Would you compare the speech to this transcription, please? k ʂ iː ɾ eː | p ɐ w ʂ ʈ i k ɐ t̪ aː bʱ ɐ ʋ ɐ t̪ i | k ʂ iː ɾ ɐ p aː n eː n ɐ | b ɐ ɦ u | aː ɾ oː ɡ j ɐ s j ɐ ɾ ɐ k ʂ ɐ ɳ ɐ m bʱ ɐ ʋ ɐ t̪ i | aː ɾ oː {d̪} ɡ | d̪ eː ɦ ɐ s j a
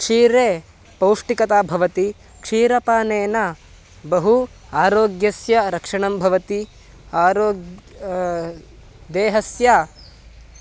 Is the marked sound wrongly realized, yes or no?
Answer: yes